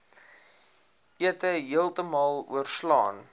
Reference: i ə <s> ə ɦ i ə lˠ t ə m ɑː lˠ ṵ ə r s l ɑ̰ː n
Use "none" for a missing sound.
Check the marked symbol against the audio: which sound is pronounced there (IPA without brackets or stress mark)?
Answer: t